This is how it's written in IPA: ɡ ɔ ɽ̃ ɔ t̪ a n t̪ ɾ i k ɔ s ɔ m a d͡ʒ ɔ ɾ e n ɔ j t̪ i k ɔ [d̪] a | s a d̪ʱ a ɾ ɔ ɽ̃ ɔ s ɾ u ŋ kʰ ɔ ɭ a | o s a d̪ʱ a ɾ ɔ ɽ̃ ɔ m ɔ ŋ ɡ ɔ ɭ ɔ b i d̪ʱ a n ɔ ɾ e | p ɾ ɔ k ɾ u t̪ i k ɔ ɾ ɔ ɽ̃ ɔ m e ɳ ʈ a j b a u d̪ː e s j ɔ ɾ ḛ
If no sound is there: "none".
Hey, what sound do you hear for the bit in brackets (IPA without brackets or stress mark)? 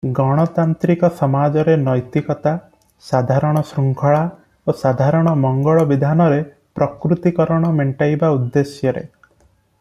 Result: t̪